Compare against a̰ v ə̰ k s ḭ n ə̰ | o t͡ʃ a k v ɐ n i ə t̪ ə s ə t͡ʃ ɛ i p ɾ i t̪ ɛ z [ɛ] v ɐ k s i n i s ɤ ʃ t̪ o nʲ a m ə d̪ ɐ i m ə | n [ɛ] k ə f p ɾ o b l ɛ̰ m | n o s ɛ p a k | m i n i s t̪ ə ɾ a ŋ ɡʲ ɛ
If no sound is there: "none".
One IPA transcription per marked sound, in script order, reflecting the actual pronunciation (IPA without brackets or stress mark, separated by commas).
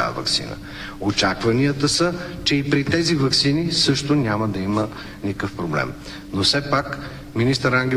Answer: i, i